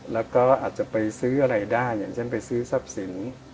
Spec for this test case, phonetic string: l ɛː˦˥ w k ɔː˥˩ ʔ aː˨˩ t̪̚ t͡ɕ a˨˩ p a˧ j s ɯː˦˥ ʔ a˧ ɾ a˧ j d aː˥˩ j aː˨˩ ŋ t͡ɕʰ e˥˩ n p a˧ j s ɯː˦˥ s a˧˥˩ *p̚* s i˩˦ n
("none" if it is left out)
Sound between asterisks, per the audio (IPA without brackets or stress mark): p̚